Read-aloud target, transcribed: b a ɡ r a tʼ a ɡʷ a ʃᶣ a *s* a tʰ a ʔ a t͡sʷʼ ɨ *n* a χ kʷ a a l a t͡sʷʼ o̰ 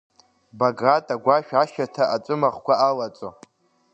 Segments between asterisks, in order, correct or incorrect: incorrect: ʃ, incorrect: m

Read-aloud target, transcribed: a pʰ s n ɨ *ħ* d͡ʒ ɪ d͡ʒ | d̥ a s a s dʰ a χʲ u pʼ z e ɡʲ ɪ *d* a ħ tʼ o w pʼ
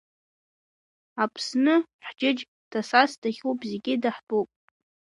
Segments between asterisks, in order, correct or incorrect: correct, correct

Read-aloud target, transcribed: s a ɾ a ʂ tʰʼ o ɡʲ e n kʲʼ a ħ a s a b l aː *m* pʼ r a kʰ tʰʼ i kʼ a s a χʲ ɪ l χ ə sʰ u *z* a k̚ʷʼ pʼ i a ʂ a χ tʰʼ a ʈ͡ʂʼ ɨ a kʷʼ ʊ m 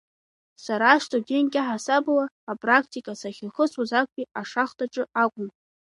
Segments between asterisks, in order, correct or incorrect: incorrect: none, correct

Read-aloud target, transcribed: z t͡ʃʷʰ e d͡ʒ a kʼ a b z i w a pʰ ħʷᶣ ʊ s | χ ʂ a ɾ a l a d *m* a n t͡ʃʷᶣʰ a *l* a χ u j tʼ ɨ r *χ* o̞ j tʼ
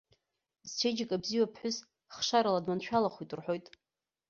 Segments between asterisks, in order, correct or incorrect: correct, correct, incorrect: ħ

